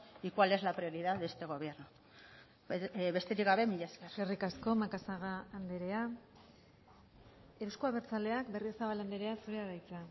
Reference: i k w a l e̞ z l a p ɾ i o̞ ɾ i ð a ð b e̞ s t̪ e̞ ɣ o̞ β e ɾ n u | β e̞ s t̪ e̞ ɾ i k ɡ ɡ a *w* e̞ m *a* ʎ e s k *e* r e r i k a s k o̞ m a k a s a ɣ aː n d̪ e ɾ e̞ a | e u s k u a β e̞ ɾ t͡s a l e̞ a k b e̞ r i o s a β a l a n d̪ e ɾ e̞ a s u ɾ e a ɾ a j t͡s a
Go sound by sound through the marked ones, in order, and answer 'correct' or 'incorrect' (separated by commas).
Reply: incorrect, incorrect, correct